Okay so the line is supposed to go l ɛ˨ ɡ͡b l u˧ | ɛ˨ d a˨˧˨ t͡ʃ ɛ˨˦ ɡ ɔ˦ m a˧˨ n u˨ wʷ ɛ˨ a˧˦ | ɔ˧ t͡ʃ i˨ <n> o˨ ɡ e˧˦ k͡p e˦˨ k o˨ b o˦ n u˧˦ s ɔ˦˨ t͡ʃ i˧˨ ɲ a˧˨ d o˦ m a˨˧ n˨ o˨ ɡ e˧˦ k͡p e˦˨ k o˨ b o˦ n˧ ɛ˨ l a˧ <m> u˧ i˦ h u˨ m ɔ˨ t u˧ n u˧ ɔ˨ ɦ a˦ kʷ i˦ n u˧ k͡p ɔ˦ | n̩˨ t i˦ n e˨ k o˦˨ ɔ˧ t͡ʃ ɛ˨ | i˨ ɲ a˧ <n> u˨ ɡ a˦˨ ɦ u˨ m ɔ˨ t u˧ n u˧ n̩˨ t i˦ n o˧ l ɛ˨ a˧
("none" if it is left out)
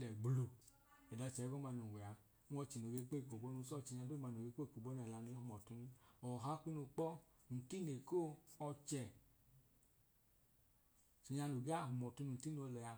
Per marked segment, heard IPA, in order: n, n, n

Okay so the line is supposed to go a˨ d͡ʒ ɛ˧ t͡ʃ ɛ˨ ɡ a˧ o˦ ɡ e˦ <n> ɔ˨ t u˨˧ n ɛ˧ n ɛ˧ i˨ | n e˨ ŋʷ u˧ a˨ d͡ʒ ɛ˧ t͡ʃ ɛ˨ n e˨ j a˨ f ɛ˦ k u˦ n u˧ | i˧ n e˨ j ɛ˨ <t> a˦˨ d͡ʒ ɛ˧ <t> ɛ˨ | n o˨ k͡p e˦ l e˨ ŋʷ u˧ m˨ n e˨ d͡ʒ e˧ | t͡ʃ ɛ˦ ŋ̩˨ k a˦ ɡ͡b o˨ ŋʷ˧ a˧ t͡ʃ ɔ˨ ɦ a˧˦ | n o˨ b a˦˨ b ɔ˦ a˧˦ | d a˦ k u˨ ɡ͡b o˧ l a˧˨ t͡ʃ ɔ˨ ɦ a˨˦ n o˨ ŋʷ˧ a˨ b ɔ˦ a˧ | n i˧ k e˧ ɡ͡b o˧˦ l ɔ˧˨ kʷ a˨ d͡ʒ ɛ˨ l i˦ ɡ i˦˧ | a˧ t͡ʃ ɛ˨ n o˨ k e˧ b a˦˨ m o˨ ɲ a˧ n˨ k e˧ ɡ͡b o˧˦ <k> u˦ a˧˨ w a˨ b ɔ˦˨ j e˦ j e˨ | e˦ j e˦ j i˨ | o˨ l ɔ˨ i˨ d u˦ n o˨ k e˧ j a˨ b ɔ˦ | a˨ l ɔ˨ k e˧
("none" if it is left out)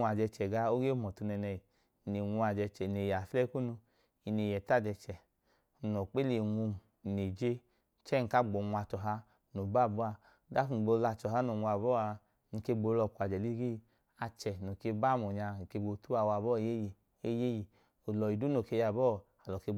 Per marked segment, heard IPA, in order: m, t, t͡ʃ, t

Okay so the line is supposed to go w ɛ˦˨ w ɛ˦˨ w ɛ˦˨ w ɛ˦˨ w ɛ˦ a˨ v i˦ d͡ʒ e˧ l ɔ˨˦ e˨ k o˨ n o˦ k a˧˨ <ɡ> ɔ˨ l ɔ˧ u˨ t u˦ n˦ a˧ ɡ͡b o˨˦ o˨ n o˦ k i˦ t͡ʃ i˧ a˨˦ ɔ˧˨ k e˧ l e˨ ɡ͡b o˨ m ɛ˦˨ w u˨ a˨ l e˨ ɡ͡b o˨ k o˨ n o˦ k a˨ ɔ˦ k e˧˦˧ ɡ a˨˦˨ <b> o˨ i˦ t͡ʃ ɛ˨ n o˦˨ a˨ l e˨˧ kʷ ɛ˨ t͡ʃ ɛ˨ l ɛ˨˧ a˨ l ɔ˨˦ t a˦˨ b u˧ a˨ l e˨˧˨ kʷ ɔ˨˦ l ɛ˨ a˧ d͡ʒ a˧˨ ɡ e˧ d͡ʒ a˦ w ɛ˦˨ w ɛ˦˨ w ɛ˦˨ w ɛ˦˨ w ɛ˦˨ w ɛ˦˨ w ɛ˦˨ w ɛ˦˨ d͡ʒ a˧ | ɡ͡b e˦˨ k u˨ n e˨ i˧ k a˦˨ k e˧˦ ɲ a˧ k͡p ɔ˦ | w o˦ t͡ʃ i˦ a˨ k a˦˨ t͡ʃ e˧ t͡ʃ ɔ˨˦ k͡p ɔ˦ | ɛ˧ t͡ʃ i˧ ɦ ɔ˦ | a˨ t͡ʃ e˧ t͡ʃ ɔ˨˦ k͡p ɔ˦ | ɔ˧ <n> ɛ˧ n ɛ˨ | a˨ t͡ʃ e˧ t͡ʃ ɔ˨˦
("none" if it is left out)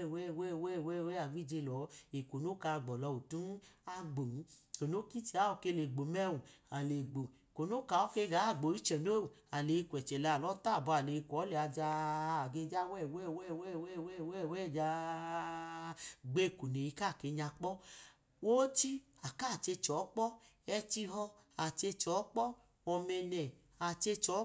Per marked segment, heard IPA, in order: ɡ͡b, ɡ͡b, m

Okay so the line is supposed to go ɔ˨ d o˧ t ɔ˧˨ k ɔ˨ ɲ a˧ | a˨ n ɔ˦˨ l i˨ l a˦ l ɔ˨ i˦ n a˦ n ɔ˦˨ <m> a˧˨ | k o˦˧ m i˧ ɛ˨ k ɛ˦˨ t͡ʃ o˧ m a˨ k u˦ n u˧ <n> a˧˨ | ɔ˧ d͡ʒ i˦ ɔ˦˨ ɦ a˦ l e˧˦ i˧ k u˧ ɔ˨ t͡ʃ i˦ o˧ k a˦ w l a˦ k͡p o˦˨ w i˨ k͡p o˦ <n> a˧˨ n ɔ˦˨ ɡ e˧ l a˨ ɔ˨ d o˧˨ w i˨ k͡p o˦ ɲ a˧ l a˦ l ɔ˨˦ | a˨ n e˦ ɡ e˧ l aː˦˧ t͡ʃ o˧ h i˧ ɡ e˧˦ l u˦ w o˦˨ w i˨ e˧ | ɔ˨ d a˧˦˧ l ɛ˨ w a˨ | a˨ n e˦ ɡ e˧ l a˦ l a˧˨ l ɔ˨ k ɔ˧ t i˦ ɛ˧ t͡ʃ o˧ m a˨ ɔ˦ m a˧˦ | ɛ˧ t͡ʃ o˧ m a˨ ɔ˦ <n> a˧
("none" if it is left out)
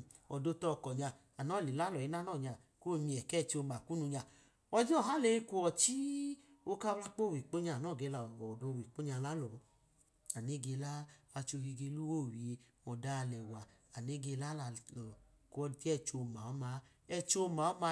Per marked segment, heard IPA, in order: ɲ, ɲ, ɲ, m

